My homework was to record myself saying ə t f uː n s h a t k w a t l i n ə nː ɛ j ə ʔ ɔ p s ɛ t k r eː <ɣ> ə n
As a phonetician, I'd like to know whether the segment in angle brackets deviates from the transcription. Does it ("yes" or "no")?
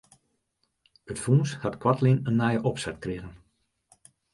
no